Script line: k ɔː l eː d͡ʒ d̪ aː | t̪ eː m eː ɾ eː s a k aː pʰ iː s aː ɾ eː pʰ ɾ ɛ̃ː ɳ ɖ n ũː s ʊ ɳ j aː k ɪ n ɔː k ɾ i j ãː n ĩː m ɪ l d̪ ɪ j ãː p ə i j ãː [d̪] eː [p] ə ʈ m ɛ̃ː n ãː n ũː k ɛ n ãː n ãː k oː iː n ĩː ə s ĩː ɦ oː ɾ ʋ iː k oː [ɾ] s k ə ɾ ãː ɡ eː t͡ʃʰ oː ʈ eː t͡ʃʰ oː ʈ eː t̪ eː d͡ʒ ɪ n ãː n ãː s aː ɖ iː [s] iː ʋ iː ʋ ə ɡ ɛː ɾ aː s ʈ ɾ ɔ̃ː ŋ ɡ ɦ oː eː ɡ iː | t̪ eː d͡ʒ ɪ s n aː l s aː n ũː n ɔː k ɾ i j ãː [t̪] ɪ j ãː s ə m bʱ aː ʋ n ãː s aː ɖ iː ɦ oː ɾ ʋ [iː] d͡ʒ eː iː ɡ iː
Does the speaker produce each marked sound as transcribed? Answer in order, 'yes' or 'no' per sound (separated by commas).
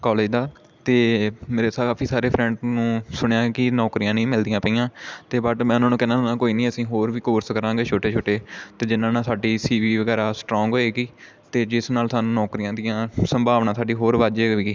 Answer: no, no, yes, yes, no, no